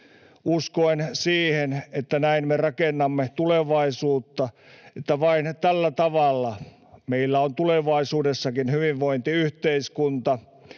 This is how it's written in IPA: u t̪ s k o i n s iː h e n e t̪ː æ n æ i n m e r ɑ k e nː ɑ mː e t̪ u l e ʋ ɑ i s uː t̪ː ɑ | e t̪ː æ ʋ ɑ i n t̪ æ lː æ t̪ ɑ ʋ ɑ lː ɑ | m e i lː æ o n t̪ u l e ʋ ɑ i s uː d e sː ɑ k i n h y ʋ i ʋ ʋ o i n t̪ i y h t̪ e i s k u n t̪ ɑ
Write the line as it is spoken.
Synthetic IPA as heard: u s k o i n s iː h e n e t̪ː æ n æ i n m e r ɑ k e nː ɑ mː e t̪ u l e ʋ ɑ i s uː t̪ː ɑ | e t̪ː æ ʋ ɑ i n t̪ æ lː æ t̪ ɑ ʋ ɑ lː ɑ | m e i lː æ o n t̪ u l e ʋ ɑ i s uː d e sː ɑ k i n h y ʋ i ʋ ʋ o i n t̪ i y h t̪ e i s k u n t̪ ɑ